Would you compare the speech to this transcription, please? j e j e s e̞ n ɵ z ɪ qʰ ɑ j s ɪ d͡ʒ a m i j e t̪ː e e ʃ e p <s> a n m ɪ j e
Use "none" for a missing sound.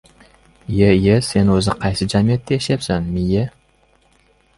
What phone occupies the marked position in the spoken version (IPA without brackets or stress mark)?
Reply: s